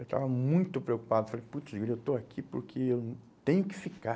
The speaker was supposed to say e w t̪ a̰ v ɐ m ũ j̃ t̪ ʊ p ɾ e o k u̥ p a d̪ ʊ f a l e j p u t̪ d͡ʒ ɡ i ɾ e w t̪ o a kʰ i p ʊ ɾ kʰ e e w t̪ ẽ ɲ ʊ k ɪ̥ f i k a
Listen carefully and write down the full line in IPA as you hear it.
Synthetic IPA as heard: e w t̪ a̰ v ɐ m ũ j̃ t̪ ʊ p ɾ e o k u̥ p a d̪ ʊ f a l e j p u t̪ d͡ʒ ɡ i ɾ e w t̪ o a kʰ i p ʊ ɾ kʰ e e w t̪ ẽ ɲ ʊ k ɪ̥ f i k a